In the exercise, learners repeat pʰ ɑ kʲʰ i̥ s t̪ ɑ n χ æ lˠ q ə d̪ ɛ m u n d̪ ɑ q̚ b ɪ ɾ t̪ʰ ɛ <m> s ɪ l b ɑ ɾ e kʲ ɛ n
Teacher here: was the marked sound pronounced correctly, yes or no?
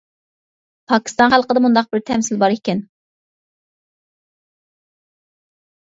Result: yes